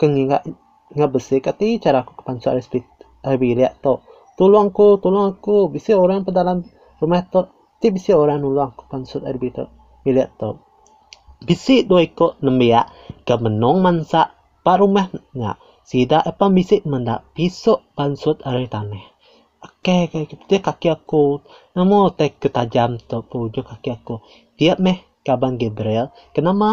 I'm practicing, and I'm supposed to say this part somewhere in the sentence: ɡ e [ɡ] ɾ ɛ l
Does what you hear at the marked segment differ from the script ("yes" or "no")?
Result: yes